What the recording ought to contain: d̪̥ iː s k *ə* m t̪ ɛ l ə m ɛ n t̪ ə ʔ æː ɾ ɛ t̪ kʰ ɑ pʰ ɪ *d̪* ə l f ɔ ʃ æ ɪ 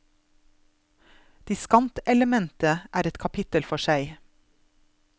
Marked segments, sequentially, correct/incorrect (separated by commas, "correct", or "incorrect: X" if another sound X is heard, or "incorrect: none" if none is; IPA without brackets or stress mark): incorrect: ɑ, incorrect: t̪